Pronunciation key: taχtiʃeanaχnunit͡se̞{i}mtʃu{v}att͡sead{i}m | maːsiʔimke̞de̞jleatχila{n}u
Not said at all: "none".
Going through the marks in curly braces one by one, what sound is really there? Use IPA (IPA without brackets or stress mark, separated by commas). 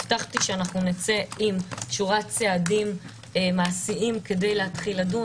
i, ʁ, i, d